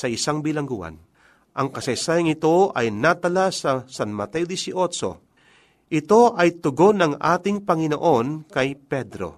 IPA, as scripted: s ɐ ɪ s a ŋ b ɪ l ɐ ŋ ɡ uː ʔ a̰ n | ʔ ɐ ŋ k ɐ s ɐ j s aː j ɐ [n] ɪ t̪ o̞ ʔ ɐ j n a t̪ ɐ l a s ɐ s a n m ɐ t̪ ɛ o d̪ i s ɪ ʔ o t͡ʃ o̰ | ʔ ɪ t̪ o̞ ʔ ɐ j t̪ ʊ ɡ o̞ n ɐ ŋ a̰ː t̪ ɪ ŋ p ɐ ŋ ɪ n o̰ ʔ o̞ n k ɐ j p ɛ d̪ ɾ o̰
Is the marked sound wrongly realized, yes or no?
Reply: yes